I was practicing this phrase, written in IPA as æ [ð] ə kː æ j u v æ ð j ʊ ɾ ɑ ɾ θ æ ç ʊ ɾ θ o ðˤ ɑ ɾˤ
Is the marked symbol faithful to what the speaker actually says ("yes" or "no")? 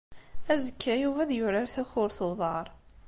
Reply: no